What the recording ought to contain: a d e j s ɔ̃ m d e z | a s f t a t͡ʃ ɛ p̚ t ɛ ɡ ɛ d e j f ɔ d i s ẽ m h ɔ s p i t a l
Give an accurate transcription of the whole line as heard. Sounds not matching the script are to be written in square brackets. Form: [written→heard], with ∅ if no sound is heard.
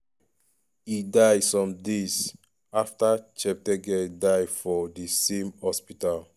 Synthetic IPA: [a→i] d [e→a] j s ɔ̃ m d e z | a [s→∅] f t a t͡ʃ ɛ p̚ t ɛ ɡ ɛ d [e→a] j f ɔ d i s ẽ m h ɔ s p i t a l

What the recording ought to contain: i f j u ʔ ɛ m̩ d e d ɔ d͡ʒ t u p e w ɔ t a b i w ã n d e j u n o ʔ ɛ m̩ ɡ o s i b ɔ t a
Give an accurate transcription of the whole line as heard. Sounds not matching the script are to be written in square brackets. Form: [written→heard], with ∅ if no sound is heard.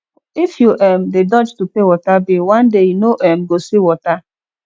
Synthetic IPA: i f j u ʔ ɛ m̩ d e d ɔ d͡ʒ t u p e w ɔ t a b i w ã n d e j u n o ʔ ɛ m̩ ɡ o s i [b→w] ɔ t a

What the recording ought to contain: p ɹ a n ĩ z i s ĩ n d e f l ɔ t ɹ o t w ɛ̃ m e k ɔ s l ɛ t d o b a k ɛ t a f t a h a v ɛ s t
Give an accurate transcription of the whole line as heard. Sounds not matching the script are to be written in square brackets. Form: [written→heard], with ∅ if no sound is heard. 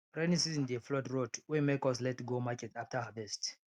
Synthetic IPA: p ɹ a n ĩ [z→s] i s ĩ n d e f l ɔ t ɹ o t w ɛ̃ m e k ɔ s l ɛ t [d→ɡ] o [b→m] a k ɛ t a f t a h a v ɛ s t

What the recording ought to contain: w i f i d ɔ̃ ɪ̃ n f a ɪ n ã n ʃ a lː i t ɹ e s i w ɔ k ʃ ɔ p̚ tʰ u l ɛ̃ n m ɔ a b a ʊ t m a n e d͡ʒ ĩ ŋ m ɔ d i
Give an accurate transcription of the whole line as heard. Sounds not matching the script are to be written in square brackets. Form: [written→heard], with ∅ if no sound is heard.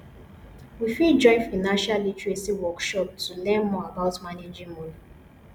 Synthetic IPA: w i f i [d→d͡ʒ] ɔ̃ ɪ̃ n f a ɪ n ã n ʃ a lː i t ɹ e s i w ɔ k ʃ ɔ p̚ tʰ u l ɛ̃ n m ɔ a b a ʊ t m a n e d͡ʒ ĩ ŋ m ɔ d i

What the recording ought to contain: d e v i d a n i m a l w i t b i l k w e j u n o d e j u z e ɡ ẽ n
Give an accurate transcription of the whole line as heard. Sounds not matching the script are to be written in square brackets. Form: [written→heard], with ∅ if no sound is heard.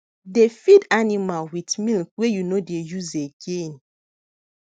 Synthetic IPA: d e [v→f] i d a n i m a l w i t [b→m] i l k w e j u n o d e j u z e ɡ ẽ n

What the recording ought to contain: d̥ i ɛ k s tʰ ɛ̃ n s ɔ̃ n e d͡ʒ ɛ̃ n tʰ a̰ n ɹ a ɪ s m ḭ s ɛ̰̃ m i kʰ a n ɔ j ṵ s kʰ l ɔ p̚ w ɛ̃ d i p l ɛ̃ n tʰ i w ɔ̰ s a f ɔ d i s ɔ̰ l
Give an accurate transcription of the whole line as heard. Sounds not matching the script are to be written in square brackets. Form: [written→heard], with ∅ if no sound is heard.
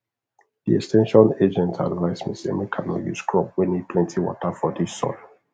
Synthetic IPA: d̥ i ɛ k s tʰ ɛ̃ n [s→ʃ] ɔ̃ n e d͡ʒ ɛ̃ n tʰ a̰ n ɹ a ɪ s m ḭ s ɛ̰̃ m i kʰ a n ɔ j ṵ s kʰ [l→ɹ] ɔ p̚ w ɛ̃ [d→n] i p l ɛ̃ n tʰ i w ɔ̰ [s→t] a f ɔ d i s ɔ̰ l

